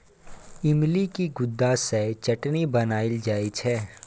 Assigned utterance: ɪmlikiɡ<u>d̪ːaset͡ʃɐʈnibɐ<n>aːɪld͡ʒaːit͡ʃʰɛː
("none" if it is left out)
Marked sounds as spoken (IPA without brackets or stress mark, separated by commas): ʊ, n